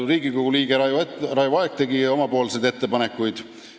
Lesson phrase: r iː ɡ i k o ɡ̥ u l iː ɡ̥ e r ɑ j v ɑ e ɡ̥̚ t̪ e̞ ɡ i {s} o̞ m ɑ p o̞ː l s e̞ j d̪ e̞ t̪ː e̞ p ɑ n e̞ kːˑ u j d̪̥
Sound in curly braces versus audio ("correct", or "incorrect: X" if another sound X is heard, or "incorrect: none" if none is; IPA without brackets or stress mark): incorrect: none